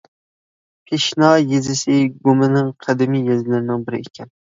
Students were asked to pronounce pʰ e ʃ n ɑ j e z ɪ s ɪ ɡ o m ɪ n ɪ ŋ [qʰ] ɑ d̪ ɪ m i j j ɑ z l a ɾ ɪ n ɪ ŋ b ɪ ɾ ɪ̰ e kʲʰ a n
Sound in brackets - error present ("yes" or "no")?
no